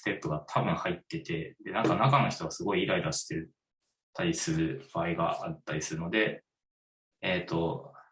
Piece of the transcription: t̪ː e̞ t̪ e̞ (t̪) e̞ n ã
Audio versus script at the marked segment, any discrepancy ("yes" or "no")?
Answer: yes